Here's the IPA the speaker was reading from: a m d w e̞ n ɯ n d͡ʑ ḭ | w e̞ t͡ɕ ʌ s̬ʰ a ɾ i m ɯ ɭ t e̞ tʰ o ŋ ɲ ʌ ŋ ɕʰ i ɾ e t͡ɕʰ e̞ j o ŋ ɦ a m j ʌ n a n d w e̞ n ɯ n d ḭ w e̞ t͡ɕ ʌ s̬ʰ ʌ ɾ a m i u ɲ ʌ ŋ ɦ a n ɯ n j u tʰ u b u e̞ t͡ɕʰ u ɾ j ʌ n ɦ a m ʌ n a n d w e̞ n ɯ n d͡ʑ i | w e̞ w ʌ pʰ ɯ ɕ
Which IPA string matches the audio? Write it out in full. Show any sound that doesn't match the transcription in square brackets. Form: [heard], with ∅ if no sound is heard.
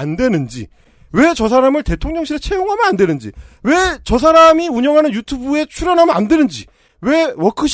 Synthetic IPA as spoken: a [n] d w e̞ n ɯ n d͡ʑ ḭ | w e̞ t͡ɕ ʌ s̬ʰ a ɾ [a] m ɯ ɭ t e̞ tʰ o ŋ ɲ ʌ ŋ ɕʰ i ɾ e t͡ɕʰ e̞ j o ŋ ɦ a m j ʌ n a n d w e̞ n ɯ n [d͡ʑ] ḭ w e̞ t͡ɕ ʌ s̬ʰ [a] ɾ a m i u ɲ ʌ ŋ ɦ a n ɯ n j u tʰ u b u e̞ t͡ɕʰ u ɾ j ʌ n ɦ a m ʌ n a n d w e̞ n ɯ n d͡ʑ i | w e̞ w ʌ [kʰ] ɯ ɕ